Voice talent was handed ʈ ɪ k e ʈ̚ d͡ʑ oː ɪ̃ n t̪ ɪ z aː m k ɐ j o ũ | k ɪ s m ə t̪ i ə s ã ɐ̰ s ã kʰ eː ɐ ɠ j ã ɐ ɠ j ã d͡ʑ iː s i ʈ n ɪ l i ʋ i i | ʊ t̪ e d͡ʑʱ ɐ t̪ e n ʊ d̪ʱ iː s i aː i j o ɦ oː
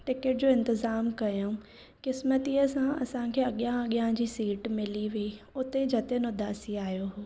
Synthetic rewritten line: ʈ ɪ k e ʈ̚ d͡ʑ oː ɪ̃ n t̪ ɪ z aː m k ɐ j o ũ | k ɪ s m ə t̪ i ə s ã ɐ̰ s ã kʰ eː ɐ ɠ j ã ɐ ɠ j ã d͡ʑ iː s iː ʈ m ɪ l i ʋ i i | ʊ t̪ e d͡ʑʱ ɐ t̪ e n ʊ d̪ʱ aː s i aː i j o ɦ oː